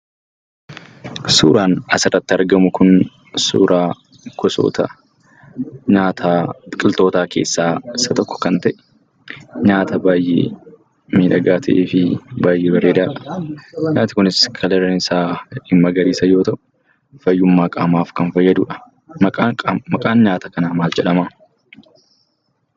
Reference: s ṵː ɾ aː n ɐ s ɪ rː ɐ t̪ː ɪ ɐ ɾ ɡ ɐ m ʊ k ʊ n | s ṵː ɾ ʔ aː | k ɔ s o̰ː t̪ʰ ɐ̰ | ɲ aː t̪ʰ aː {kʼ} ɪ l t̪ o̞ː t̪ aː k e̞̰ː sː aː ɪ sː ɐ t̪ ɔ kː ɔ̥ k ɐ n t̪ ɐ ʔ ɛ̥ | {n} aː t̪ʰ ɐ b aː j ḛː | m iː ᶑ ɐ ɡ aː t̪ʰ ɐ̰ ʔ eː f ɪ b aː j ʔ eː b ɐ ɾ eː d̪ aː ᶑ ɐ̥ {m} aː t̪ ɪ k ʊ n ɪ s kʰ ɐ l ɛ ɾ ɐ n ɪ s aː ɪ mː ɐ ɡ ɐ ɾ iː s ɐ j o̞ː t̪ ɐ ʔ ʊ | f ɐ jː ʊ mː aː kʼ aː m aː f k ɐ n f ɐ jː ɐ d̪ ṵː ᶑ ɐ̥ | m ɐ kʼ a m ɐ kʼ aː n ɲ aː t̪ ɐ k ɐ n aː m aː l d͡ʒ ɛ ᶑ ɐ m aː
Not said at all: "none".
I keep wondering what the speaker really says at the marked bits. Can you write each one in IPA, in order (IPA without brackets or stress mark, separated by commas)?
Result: kʼ, ɲ, ɲ